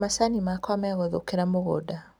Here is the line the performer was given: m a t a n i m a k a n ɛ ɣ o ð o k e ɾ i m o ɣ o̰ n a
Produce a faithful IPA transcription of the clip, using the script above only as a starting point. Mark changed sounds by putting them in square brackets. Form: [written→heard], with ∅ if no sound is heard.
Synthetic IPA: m a [t→s] a n i m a k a [n→m] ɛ ɣ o ð o k e ɾ [i→a] m o ɣ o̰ [n→d] a